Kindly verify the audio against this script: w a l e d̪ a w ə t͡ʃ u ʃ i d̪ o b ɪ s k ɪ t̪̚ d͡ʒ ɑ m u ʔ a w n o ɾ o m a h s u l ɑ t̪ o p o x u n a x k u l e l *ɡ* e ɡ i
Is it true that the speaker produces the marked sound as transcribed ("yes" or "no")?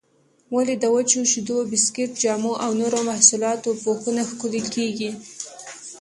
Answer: no